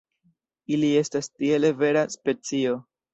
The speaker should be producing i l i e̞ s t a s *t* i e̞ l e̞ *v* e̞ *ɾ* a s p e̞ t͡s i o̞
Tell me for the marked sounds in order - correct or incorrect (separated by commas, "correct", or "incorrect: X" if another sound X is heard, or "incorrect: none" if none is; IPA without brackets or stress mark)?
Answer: correct, correct, correct